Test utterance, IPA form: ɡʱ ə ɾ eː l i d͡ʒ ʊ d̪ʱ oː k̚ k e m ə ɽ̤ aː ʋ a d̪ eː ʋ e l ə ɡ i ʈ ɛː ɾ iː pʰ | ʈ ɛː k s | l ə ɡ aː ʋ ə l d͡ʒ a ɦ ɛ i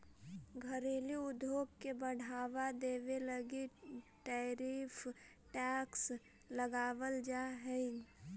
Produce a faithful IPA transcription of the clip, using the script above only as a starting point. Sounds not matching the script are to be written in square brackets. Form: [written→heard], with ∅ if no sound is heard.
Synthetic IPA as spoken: ɡʱ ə ɾ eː l i [d͡ʒ→∅] ʊ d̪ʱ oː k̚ k e [m→b] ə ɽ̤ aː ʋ a d̪ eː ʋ e l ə ɡ i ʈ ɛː ɾ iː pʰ | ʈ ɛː k s | l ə ɡ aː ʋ ə l d͡ʒ a ɦ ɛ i